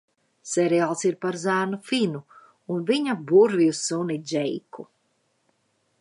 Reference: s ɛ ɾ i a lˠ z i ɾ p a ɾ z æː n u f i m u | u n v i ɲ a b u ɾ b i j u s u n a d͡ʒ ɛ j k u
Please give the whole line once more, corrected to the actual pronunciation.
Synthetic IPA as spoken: s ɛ ɾ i a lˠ s i ɾ p a ɾ z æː n u f i n u | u n v i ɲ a b u ɾ v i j u s u n i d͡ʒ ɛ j k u